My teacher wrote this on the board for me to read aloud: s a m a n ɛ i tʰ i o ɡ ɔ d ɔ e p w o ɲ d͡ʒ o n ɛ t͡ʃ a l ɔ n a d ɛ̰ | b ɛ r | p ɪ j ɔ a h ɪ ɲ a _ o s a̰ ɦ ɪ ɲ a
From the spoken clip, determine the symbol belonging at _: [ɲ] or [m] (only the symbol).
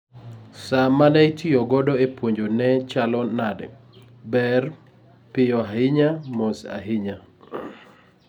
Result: m